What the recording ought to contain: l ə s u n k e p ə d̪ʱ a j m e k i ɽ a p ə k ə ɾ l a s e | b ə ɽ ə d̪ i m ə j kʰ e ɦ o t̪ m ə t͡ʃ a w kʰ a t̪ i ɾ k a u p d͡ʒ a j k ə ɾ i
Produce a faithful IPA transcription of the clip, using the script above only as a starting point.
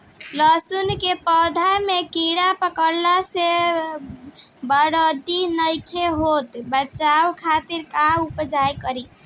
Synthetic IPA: l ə s u n k e p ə d̪ʱ a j m e k i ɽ a p ə k ə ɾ l a s e | b ə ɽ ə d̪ i n ə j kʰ e ɦ o t̪ b ə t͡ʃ a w kʰ a t̪ i ɾ k a u p d͡ʒ a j k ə ɾ i